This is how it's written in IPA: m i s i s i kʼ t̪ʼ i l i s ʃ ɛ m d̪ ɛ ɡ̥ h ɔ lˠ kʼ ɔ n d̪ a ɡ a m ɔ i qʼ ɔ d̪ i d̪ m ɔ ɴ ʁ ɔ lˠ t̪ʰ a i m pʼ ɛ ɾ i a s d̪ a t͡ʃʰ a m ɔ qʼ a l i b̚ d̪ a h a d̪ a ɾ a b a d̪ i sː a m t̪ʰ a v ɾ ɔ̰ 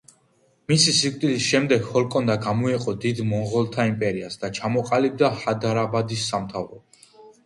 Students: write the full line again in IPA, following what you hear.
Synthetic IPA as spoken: m i s i s i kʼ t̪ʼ i l i s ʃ ɛ m d̪ ɛ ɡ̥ h ɔ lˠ kʼ ɔ n d̪ a ɡ a m ɔ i qʼ ɔ d̪ i d̪ m ɔ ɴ ʁ ɔ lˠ t̪ʰ a i m pʼ ɛ ɾ i a s d̪ a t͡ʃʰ a m ɔ qʼ a l i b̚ d̪ a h a d̪ a ɾ a b a d̪ i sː a m t̪ʰ a v ɾ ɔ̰